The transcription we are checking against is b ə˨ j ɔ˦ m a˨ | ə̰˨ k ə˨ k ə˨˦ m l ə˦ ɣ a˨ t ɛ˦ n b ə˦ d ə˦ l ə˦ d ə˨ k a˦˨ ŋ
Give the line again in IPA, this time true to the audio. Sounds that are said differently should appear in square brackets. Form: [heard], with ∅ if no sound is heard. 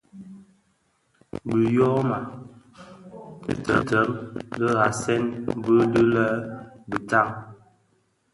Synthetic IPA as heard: b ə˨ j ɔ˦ m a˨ | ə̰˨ [t] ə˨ [t] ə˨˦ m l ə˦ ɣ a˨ [s] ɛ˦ n b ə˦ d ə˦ l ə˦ [b] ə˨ [t] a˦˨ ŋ